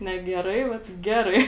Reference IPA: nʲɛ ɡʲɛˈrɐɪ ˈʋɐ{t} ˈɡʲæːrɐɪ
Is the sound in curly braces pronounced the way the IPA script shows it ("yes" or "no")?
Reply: yes